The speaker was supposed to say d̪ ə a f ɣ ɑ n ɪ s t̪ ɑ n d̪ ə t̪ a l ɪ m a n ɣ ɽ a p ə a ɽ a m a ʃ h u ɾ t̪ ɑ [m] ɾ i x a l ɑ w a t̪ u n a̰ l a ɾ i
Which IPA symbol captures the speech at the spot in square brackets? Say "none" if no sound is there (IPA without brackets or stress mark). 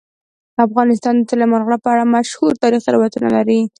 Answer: none